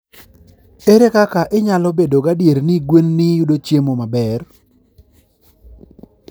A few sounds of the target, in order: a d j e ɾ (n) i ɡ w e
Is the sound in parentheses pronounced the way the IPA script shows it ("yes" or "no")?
yes